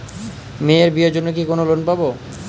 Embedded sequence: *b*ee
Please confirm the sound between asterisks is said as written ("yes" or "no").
no